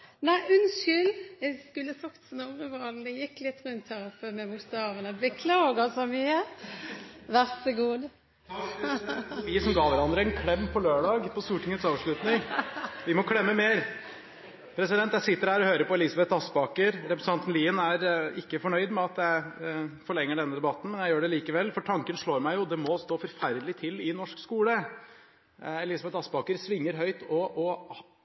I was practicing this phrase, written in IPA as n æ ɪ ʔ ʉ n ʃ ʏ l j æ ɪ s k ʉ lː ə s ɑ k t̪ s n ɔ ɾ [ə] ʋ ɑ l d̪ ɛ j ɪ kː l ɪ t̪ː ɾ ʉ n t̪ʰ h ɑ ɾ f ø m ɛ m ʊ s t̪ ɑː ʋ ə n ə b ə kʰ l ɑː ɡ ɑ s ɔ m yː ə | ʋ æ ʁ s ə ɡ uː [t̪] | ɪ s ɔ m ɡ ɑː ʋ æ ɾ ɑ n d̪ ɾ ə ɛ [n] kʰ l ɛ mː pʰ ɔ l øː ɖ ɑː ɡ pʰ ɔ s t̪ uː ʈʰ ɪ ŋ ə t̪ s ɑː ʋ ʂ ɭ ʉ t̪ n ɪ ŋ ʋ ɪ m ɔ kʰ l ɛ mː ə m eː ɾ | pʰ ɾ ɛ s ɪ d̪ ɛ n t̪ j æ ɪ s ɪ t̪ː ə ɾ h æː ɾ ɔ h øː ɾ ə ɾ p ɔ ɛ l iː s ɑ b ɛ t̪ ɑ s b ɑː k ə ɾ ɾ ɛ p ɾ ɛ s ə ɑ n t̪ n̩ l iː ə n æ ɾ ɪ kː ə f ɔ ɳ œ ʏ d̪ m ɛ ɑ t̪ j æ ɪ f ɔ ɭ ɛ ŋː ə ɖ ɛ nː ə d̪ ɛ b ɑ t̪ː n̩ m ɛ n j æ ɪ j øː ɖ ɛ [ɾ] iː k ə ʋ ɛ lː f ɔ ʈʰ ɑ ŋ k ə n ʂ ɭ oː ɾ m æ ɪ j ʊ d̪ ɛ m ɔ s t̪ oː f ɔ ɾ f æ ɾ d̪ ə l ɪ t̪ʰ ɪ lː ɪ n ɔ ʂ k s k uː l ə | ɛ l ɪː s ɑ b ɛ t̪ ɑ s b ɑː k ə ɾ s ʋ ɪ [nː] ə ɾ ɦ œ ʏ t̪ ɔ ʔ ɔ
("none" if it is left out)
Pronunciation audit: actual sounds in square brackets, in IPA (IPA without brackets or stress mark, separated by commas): ə, d̪, n, l, ŋː